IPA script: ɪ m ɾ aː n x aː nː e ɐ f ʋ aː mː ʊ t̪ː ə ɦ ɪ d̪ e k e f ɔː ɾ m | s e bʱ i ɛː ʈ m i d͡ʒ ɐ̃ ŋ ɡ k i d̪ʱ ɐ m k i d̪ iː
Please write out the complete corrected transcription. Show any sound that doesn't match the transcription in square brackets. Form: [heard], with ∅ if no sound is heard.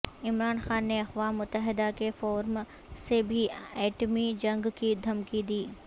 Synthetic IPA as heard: ɪ m ɾ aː n x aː nː e ɐ [x] ʋ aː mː ʊ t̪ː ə ɦ ɪ d̪ [a] k e f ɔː ɾ m | s e bʱ i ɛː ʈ m i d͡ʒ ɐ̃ ŋ ɡ k i d̪ʱ ɐ m k i d̪ iː